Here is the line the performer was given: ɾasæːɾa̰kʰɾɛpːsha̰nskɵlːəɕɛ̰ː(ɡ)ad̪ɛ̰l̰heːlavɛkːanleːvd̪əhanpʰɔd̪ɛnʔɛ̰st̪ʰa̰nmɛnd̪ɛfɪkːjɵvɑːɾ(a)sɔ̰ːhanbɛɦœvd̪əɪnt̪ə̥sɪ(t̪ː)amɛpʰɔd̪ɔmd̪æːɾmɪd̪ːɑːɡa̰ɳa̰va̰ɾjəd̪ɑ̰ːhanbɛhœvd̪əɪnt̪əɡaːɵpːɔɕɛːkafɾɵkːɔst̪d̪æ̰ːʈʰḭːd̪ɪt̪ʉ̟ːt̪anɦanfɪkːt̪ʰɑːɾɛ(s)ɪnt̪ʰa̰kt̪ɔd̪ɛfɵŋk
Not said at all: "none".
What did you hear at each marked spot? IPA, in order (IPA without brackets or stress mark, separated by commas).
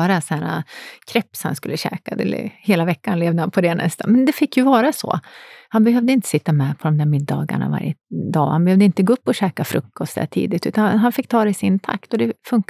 k, a, t̪ː, s